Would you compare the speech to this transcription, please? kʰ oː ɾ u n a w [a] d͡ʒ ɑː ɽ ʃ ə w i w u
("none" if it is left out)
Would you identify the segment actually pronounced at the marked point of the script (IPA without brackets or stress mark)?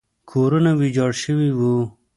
i